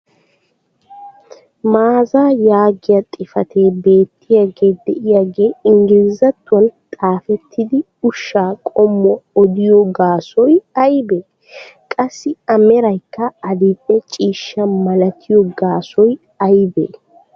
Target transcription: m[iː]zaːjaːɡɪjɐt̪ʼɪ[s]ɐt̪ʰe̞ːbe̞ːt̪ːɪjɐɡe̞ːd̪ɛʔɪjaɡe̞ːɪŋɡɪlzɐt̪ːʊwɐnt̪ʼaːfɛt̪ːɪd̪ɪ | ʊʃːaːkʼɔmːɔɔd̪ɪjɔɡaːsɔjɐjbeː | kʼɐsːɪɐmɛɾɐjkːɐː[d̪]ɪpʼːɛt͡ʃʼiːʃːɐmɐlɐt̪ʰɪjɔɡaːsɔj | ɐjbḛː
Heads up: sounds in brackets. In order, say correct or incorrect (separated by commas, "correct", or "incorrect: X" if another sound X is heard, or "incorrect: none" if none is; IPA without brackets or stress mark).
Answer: incorrect: aː, incorrect: f, correct